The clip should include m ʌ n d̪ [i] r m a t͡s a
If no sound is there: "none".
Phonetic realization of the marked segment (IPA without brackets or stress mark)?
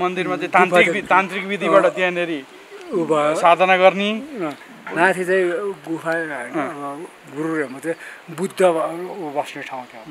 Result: i